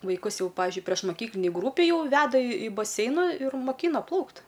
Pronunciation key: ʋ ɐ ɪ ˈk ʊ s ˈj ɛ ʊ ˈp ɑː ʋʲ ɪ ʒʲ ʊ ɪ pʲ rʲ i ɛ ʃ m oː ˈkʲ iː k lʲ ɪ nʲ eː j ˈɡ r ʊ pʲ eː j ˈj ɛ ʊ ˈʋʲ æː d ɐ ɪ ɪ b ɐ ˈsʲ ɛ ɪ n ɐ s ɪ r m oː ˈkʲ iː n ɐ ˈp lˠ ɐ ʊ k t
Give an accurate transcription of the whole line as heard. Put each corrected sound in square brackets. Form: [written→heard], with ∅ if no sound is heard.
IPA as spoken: ʋ ɐ ɪ ˈk ʊ s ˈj ɛ ʊ ˈp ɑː ʋʲ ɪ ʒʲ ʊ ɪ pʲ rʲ i ɛ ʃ m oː ˈkʲ iː k lʲ ɪ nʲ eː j ˈɡ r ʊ pʲ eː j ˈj ɛ ʊ ˈʋʲ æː d ɐ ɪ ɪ b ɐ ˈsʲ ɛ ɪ n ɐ [s→∅] ɪ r m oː ˈkʲ iː n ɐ ˈp lˠ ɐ ʊ k t